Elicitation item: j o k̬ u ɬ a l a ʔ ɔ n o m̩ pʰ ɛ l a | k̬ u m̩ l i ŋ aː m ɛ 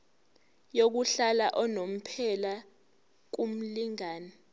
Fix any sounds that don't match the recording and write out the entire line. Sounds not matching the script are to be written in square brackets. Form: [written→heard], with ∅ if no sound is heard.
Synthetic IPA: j o k̬ u ɬ a l a ʔ ɔ n o m̩ pʰ ɛ l a | k̬ u m̩ l i ŋ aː [m→n] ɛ